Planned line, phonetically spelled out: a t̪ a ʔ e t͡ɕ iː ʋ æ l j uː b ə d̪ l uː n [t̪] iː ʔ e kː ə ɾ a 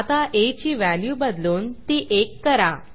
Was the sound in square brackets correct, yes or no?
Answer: yes